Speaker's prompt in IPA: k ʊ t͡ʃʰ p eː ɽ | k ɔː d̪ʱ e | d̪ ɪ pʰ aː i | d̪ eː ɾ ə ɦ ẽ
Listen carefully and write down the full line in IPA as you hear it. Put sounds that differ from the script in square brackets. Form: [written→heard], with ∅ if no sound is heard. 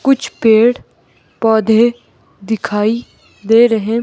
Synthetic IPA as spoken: k ʊ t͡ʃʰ p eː ɽ | [k→p] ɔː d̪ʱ e | d̪ ɪ [pʰ→kʰ] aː i | d̪ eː ɾ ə ɦ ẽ